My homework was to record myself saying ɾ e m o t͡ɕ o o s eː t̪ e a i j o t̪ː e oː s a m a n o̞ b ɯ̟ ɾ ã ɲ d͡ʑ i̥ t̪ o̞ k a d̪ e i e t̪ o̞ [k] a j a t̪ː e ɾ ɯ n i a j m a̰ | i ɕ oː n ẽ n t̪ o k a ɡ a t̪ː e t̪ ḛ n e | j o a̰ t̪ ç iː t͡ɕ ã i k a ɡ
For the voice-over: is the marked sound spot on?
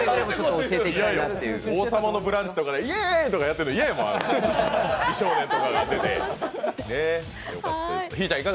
yes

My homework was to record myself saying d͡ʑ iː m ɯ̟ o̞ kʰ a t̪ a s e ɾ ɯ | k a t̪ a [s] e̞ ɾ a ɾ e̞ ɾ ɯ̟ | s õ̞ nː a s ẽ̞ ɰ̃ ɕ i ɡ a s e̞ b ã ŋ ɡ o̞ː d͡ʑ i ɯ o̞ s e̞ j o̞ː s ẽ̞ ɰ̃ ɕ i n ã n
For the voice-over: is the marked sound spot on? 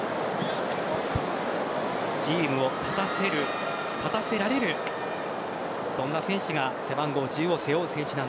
yes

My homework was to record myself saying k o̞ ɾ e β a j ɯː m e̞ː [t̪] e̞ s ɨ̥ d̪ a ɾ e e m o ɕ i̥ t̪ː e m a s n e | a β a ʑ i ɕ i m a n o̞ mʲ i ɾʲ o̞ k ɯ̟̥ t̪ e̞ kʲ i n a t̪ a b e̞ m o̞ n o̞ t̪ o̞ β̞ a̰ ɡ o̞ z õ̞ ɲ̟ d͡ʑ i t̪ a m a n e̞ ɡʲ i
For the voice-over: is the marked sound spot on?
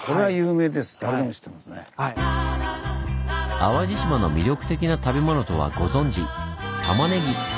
no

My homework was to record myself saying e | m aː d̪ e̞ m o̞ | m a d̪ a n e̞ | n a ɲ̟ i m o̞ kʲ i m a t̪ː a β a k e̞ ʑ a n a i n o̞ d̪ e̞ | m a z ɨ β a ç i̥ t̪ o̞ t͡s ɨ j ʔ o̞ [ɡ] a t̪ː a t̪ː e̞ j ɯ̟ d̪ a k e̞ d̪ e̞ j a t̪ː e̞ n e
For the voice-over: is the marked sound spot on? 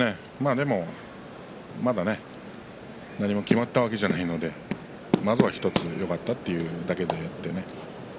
no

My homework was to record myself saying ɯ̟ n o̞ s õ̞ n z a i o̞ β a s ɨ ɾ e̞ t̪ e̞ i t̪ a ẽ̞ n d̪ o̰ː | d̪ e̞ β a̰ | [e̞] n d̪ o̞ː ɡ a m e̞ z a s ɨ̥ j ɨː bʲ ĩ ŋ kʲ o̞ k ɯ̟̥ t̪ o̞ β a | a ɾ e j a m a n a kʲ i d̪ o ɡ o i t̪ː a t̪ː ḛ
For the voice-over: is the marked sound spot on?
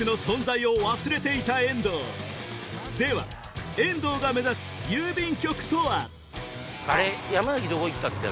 no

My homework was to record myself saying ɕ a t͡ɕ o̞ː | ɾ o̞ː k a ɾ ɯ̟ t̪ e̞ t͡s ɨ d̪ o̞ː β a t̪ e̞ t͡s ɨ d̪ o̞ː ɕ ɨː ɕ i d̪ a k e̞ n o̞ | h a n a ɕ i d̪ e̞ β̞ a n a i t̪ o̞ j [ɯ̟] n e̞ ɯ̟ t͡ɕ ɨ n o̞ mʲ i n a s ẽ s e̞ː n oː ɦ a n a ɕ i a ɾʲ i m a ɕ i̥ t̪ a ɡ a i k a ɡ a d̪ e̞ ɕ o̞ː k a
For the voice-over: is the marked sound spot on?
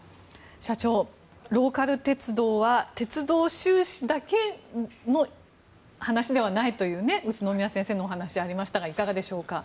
no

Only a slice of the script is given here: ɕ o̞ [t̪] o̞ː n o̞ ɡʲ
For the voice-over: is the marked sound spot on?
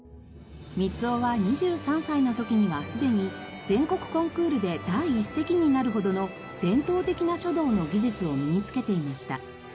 no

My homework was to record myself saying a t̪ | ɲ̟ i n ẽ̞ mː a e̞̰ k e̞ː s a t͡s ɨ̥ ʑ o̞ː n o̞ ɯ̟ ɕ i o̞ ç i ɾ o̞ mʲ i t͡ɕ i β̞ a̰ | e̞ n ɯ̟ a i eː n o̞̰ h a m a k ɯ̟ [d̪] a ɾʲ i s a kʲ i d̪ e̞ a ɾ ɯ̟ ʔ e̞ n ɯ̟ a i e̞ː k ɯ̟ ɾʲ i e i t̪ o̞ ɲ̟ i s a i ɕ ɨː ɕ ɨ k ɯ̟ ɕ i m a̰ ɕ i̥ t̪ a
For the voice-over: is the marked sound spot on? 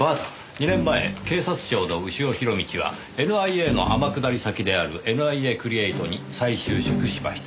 yes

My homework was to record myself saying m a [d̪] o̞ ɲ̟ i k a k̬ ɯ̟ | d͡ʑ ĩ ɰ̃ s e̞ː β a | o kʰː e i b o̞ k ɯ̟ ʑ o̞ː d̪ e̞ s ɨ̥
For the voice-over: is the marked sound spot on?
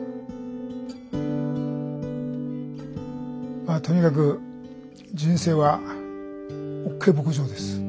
no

